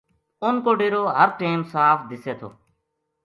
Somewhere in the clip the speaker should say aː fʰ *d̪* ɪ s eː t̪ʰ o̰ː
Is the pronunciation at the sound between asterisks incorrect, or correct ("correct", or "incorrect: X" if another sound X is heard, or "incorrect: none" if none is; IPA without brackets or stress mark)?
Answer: correct